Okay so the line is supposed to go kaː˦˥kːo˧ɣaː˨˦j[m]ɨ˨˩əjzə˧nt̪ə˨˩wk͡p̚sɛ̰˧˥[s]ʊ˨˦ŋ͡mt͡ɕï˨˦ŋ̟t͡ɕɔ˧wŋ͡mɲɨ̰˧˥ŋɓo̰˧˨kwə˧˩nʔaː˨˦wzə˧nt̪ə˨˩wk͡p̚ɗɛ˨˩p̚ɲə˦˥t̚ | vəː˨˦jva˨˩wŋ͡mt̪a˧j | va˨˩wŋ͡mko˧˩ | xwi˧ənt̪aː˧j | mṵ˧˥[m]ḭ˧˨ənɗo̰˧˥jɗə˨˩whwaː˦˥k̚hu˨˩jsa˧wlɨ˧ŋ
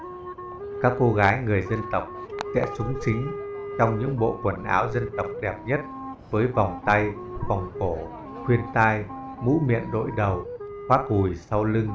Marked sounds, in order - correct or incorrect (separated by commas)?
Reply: incorrect, correct, correct